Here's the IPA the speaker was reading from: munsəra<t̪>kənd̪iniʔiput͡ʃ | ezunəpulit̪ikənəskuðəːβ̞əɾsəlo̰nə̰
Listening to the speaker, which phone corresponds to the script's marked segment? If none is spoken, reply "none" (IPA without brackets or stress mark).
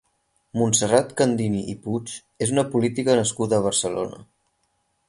t̪